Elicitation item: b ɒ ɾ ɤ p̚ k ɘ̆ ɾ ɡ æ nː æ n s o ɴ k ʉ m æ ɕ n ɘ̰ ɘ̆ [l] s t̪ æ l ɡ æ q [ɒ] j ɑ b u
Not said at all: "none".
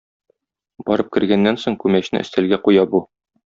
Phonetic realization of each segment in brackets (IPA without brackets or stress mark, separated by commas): none, u